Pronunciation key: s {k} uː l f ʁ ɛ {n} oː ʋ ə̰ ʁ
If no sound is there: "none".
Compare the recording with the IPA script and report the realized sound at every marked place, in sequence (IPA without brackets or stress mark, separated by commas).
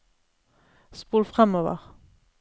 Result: p, m